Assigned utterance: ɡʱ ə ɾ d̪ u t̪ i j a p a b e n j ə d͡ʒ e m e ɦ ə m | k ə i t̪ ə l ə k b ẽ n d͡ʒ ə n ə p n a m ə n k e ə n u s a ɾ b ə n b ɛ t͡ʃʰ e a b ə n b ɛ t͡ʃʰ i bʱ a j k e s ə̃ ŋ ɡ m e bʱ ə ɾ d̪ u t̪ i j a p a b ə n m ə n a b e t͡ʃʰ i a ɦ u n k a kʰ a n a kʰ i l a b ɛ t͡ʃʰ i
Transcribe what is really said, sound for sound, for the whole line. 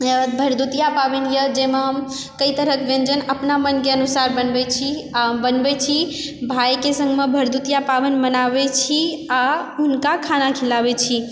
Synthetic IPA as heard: bʱ ə ɾ d̪ u t̪ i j a p a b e n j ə d͡ʒ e m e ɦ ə m | k ə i t̪ ə ɾ ə k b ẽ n d͡ʒ ə n ə p n a m ə n k e ə n u s a ɾ b ə n b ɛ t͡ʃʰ i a b ə n b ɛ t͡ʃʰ i bʱ a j k e s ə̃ ŋ ɡ m e bʱ ə ɾ d̪ u t̪ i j a p a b ə n m ə n a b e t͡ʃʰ i a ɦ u n k a kʰ a n a kʰ i l a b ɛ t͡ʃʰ i